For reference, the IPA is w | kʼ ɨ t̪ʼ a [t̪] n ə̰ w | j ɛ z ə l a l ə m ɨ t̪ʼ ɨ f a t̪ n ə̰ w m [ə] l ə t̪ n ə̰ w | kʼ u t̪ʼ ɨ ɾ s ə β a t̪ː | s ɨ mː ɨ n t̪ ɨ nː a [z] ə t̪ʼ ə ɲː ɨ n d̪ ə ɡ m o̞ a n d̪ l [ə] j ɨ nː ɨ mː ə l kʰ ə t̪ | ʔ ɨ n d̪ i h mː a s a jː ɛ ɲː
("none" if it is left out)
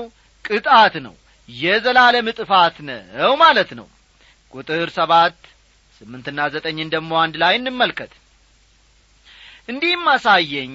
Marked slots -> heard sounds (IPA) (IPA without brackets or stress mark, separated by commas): t̪, a, z, a